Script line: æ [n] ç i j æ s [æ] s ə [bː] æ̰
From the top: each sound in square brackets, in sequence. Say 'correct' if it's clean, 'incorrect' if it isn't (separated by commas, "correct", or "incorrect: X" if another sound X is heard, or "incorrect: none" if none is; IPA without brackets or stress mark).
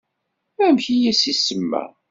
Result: incorrect: m, incorrect: i, incorrect: mː